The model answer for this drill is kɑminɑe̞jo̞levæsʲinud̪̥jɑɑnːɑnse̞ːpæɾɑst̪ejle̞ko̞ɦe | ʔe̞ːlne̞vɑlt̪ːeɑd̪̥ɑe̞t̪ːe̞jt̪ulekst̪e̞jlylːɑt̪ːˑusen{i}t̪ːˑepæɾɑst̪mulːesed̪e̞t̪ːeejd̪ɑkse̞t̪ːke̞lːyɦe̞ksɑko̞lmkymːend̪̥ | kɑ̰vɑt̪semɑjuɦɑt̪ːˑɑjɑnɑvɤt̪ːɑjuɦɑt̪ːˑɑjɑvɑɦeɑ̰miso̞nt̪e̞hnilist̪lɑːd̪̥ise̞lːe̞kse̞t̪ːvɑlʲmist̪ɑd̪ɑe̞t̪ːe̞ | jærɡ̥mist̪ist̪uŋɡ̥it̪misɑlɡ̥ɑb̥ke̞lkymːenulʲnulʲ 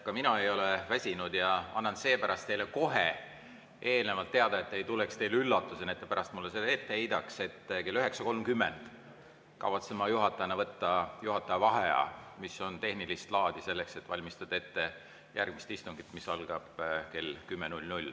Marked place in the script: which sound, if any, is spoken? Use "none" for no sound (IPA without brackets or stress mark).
e